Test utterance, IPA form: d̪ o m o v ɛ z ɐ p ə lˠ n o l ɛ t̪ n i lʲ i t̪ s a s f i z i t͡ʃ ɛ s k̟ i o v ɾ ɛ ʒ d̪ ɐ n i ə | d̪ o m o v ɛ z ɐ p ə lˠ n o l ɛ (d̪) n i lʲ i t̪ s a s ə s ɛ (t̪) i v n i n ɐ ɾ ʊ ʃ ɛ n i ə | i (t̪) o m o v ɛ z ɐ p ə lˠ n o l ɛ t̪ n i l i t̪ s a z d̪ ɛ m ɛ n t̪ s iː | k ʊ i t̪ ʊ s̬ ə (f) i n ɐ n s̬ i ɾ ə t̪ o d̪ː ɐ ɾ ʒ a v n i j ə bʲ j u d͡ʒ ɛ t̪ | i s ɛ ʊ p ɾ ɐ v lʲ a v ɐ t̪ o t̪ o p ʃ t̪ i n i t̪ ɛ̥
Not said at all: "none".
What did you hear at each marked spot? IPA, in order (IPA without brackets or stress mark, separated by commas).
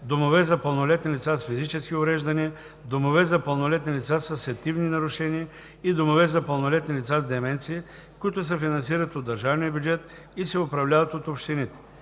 t̪, t̪, d̪, f